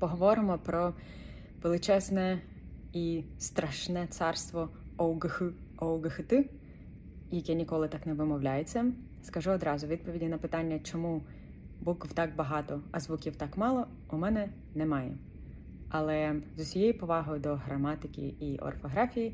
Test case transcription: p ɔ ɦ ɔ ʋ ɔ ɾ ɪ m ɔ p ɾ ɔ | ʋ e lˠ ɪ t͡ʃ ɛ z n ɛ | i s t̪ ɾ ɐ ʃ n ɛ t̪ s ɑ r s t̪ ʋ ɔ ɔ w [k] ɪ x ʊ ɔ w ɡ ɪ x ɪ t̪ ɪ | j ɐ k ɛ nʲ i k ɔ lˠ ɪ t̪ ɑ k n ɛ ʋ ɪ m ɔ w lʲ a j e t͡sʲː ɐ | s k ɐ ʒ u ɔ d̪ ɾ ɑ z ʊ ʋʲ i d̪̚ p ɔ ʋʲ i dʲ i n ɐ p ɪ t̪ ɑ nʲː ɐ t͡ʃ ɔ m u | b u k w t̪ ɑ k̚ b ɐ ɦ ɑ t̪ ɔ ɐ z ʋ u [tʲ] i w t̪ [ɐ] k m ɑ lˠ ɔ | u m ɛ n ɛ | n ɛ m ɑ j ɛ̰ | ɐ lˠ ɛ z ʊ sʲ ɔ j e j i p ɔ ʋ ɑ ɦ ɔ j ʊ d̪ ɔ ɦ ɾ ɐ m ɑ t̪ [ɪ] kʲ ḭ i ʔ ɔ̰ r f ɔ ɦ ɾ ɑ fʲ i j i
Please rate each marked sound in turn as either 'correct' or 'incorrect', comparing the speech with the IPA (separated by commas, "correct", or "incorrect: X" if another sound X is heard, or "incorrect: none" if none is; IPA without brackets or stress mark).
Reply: incorrect: ɡ, incorrect: kʲ, incorrect: ɑ, correct